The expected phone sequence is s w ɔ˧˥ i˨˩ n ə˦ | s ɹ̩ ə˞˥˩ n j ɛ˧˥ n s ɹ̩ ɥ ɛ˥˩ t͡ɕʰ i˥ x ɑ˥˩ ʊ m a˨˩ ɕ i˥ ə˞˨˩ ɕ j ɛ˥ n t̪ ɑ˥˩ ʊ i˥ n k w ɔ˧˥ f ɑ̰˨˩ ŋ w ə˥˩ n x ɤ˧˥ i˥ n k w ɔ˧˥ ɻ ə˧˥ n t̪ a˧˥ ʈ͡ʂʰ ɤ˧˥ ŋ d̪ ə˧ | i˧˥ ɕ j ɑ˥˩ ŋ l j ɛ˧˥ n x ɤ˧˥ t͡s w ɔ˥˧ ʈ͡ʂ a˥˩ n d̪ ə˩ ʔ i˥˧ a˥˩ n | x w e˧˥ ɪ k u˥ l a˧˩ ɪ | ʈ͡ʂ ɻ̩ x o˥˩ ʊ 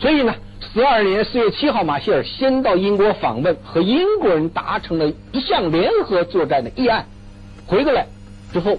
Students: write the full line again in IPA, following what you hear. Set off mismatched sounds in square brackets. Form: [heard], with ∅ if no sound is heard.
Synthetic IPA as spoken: s w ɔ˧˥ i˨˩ n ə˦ | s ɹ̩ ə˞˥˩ n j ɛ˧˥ n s ɹ̩ ɥ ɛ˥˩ t͡ɕʰ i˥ x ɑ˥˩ ʊ m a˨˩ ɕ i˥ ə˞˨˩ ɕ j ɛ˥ n t̪ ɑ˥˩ ʊ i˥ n k w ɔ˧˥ f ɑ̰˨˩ ŋ w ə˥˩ n x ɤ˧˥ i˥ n k w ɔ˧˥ ɻ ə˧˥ n t̪ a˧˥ ʈ͡ʂʰ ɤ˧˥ ŋ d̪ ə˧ | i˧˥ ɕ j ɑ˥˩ ŋ l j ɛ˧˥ n x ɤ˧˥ t͡s w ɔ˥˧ ʈ͡ʂ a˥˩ n d̪ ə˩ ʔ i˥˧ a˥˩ n | x w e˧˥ ɪ k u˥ l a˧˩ ɪ | ʈ͡ʂ ɻ̩ x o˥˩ ʊ